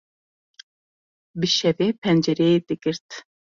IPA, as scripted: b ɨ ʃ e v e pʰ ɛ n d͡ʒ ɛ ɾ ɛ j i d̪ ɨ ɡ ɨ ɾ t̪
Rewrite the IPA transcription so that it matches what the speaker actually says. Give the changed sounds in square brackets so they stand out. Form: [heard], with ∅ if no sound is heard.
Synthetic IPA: b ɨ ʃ [ɛ] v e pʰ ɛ n d͡ʒ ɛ ɾ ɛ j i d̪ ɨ ɡ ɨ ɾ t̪